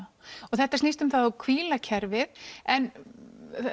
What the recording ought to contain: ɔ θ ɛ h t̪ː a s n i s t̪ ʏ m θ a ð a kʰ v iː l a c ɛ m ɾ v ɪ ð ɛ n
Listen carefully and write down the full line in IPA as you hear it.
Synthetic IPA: ɔ θ ɛ h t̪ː a s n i s t̪ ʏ m θ a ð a kʰ v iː l a cʰ ɛ ɾ v ɪ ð ɛ n